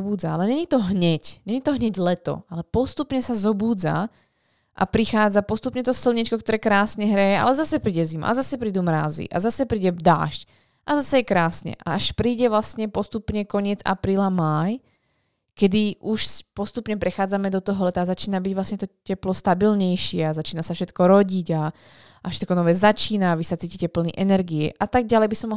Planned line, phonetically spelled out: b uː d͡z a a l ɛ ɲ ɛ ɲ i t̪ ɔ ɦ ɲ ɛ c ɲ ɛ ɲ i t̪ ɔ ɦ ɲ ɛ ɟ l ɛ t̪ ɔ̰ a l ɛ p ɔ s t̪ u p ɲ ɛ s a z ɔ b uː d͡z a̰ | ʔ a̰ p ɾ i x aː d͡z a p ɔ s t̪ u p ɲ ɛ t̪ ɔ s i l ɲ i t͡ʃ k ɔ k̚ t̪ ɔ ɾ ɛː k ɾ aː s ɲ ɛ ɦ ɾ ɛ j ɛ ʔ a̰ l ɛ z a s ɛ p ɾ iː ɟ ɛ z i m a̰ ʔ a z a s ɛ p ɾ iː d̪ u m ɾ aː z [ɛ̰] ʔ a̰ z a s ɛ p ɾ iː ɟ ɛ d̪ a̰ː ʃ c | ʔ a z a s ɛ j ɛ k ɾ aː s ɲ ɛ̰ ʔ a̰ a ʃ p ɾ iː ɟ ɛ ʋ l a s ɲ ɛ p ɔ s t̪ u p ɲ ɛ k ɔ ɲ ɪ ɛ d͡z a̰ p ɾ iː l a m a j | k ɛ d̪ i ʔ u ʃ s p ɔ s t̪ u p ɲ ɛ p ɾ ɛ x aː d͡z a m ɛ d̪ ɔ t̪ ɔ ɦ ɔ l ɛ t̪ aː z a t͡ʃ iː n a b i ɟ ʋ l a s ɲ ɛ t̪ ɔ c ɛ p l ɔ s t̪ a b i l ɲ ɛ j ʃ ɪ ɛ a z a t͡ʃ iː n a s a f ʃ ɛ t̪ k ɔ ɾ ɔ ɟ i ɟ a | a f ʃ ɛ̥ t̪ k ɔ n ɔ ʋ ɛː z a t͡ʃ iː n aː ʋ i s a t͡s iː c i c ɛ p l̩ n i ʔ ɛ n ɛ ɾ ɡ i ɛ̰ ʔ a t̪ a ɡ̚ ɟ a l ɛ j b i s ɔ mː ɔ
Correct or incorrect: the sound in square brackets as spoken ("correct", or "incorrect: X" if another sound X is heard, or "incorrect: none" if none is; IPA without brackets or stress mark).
incorrect: ḭ